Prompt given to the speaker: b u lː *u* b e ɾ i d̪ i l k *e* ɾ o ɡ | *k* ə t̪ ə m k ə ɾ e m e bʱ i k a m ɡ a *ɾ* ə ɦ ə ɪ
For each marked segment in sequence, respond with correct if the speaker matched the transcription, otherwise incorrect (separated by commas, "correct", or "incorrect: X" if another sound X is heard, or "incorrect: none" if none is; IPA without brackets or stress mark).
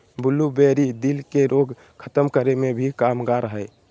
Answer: correct, correct, incorrect: kʰ, correct